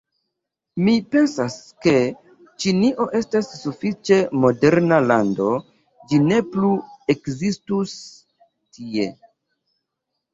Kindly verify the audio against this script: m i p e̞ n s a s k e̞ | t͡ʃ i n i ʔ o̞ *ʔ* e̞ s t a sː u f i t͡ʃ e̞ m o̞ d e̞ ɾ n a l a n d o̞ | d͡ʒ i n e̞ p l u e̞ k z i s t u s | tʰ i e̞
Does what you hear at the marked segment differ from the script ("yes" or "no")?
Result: no